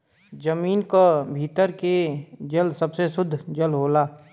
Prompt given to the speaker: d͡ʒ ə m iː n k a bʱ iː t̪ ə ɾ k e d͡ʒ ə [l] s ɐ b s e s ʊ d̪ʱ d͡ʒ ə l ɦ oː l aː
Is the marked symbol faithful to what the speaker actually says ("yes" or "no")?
yes